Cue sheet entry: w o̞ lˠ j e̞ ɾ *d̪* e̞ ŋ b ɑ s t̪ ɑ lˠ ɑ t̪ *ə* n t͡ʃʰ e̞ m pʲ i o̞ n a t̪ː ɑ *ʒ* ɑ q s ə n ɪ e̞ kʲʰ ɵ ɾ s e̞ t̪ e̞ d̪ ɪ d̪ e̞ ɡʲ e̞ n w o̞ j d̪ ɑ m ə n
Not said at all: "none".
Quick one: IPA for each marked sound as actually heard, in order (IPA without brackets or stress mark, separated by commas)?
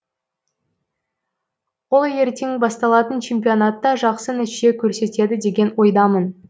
t̪, ə, ʒ